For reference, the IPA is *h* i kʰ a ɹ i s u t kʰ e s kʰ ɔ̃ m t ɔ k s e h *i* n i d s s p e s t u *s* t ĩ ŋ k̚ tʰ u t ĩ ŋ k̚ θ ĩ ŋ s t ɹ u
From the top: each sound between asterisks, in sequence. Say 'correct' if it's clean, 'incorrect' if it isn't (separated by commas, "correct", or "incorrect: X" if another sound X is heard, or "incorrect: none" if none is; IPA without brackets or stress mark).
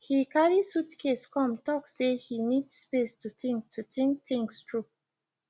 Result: correct, correct, incorrect: none